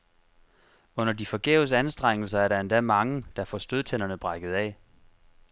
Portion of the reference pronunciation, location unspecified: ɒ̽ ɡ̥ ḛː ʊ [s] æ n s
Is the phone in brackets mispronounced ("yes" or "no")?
no